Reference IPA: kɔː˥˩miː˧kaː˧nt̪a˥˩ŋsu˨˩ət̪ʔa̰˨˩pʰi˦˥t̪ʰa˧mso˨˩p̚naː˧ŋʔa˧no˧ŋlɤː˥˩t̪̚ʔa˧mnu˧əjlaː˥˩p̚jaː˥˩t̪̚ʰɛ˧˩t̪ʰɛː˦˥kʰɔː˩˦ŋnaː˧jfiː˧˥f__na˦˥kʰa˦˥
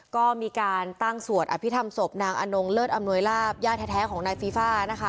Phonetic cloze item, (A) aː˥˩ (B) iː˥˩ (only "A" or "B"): A